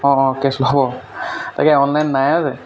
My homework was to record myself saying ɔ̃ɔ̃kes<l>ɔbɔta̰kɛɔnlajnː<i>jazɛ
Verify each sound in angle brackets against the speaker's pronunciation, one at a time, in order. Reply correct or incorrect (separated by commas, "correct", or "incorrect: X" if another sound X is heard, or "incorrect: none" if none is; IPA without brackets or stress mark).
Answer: correct, incorrect: a